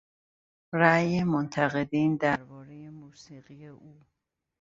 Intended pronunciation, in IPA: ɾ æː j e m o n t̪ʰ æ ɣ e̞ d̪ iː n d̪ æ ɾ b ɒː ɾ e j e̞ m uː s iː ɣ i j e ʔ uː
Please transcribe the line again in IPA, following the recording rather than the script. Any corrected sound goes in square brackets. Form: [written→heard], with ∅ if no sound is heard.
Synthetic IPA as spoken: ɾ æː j e m o n t̪ʰ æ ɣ e̞ d̪ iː n d̪ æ ɾ b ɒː ɾ e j e̞ m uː s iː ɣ i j e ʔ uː